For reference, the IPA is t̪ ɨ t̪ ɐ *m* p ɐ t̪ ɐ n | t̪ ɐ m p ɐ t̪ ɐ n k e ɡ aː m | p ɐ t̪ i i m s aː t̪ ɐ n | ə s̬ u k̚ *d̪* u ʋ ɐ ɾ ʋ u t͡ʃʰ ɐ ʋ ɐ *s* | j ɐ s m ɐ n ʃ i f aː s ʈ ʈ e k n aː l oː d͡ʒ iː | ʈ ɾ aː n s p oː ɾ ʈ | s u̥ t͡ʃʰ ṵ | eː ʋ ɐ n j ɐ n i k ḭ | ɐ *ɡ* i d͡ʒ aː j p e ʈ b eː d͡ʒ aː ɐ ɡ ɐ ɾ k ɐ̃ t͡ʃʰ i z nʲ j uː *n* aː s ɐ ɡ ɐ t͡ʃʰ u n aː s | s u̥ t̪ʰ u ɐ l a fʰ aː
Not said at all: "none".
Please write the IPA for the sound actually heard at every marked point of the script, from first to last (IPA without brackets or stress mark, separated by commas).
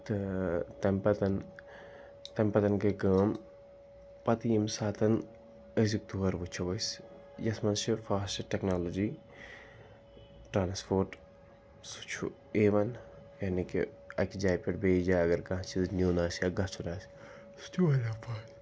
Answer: m, t̪, s, k, n